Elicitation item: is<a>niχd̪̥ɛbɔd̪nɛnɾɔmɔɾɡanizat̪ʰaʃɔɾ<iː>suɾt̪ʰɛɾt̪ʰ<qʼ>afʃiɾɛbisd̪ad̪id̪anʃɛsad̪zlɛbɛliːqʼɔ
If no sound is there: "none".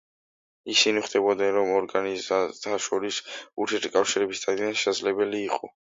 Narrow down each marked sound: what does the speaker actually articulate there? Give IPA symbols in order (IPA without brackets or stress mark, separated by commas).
i, i, kʼ